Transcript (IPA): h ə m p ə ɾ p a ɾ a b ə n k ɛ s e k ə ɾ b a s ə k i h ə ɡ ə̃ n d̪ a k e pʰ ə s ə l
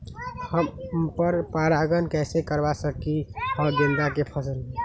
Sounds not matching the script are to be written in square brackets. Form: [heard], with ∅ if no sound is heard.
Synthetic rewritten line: h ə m p ə ɾ p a ɾ a [ɡ] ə n k ɛ s e k ə ɾ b a s ə k i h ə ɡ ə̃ n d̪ a k e pʰ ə s ə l

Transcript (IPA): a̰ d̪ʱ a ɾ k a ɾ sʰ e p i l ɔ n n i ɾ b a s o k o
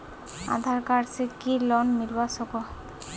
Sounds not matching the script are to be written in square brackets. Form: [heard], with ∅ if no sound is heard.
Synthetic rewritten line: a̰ d̪ʱ a ɾ k a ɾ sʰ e [k] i l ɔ n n i ɾ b a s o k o

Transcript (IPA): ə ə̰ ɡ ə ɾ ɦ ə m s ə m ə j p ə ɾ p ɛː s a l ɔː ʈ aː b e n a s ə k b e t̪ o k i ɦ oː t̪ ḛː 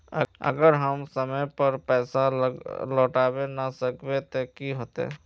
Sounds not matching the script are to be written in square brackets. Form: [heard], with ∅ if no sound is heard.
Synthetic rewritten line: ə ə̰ ɡ ə ɾ ɦ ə m s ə m ə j p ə ɾ p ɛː s a l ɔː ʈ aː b e n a s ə k b e t̪ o k i ɦ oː t̪ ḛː

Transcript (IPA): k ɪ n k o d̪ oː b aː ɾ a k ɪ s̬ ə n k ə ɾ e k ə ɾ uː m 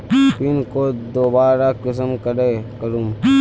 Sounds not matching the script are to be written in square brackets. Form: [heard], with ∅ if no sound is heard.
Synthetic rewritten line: [p] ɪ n k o d̪ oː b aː ɾ a k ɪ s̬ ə [m] k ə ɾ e k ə ɾ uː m

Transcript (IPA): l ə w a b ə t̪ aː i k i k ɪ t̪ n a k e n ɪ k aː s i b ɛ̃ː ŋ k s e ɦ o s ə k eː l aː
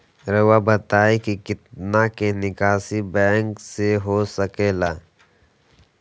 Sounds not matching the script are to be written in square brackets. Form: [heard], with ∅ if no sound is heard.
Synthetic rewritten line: [ɾ] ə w a b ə t̪ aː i k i k ɪ t̪ n a k e n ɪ k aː s i b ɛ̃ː ŋ k s e ɦ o s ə k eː l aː

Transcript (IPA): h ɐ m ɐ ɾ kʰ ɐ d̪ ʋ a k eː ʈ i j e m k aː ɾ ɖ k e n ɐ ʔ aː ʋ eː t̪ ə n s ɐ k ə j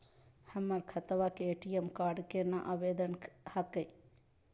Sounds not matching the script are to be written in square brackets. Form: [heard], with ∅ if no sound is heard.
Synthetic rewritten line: h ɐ m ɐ ɾ kʰ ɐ [t̪] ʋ a k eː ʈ i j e m k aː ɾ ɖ k e n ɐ ʔ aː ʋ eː [d̪] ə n [h] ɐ k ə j

